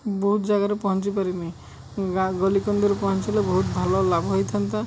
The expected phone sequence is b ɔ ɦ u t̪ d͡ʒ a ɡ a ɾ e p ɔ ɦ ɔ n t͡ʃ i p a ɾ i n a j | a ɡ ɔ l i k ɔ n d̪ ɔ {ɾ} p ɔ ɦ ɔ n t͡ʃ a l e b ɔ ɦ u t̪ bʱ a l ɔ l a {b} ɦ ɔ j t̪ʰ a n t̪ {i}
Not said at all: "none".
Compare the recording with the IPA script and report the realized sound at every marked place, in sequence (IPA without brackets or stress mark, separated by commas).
ɾ, b, a